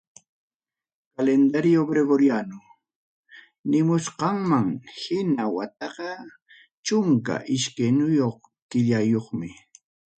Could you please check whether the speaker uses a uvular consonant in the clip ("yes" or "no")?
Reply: yes